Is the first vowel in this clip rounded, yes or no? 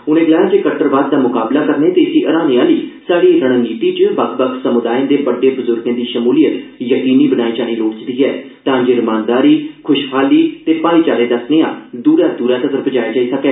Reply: yes